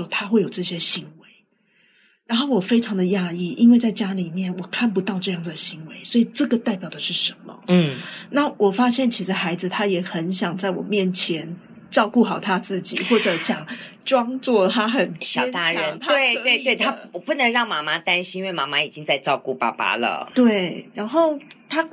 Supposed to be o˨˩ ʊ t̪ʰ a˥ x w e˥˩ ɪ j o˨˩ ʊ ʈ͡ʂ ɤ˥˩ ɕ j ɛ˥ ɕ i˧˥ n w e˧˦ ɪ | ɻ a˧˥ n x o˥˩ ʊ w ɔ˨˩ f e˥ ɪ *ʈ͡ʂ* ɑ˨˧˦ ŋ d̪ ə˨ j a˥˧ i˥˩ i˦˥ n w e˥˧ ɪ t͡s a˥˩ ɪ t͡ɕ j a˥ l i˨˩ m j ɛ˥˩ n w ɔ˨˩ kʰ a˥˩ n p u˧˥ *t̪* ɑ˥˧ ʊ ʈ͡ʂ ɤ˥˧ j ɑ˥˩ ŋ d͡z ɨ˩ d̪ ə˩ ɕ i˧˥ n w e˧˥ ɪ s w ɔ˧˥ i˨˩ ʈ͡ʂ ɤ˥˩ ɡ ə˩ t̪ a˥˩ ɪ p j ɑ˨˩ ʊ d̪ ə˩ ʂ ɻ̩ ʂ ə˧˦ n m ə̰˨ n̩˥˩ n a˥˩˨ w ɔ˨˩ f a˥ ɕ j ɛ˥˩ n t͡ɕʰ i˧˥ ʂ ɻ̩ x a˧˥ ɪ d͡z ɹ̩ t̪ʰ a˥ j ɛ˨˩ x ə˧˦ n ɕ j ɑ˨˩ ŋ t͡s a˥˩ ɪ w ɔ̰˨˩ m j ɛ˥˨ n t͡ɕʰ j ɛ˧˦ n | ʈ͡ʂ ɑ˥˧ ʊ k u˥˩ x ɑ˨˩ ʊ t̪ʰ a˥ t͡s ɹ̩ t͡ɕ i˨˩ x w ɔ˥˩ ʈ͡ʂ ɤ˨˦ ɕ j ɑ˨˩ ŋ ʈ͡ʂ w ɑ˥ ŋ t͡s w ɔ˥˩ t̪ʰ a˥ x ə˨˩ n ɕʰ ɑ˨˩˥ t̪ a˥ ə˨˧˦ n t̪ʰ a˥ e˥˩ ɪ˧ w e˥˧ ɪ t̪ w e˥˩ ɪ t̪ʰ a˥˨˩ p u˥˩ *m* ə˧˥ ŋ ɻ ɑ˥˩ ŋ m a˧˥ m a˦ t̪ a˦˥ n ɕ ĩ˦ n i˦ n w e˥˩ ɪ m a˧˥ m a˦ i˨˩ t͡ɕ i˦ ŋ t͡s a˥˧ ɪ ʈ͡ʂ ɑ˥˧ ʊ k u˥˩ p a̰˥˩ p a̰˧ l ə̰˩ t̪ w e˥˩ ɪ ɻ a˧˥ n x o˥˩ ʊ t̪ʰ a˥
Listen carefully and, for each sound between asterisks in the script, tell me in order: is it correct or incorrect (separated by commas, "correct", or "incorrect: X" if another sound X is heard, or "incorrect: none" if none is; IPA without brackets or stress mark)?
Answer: incorrect: ʈ͡ʂʰ, correct, incorrect: n